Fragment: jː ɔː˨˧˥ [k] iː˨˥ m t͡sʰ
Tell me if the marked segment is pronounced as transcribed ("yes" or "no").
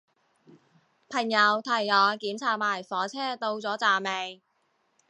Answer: yes